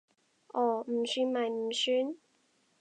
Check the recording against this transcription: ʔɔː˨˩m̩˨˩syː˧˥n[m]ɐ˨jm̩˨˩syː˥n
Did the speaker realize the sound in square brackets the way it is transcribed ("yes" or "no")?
yes